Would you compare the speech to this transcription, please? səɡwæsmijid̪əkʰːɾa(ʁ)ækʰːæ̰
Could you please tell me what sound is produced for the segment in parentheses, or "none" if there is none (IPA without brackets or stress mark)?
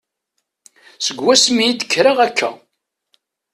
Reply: ʁ